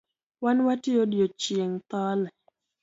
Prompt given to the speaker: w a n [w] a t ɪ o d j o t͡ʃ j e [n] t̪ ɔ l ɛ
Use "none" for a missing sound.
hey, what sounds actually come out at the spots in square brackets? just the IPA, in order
w, ŋ

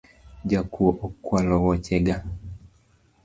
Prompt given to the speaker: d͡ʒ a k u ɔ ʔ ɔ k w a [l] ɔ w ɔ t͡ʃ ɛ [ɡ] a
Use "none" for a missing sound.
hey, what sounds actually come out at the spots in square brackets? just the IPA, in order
l, ɡ

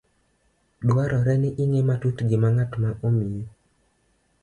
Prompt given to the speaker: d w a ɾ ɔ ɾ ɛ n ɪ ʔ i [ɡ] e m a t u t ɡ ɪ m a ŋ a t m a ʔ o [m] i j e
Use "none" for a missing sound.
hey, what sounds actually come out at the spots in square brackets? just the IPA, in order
ŋ, m

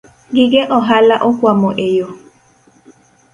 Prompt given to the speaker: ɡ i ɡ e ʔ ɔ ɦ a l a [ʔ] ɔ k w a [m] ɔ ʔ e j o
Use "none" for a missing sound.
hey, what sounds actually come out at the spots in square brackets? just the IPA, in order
ʔ, m

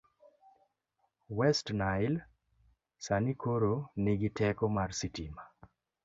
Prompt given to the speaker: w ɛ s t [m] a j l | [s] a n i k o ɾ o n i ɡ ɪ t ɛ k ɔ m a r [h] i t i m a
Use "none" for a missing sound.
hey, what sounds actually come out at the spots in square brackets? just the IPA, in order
n, s, s

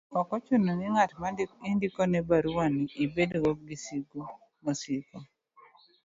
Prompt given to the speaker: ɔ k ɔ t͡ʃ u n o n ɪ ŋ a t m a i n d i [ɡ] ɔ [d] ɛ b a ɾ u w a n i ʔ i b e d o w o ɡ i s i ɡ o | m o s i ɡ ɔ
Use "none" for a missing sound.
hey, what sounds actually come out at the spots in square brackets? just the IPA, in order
k, n

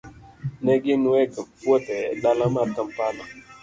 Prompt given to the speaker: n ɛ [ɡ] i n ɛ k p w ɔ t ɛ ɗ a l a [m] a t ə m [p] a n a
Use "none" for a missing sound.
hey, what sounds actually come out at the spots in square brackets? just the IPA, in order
ɡ, m, p

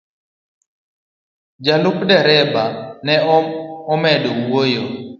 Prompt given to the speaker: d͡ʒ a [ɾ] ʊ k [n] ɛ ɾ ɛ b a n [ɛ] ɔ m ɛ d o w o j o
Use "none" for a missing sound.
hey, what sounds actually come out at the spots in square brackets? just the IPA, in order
l, d, ɛ

